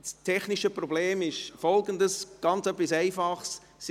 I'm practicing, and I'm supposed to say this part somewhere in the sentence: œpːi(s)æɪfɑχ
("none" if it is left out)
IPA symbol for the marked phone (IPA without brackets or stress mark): s